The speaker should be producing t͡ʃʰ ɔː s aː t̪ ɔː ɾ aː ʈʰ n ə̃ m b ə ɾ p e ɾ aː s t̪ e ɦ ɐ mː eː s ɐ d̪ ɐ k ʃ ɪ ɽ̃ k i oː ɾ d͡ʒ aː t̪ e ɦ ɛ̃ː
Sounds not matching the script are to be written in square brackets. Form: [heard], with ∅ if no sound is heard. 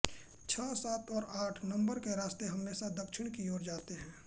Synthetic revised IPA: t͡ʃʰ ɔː s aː t̪ ɔː ɾ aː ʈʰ n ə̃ m b ə ɾ [k] e ɾ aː s t̪ e ɦ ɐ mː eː s [a] d̪ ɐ k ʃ ɪ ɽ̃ k i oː ɾ d͡ʒ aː t̪ e ɦ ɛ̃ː